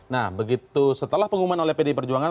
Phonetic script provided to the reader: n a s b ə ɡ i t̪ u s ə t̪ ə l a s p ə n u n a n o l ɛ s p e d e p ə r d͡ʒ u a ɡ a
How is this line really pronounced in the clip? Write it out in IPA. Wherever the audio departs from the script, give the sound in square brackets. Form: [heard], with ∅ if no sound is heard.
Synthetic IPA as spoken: n a [h] b ə ɡ i t̪ u s ə t̪ ə l a [h] p ə [ŋ] u [m] a n o l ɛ [h] p e d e p ə r d͡ʒ u a [ŋ] a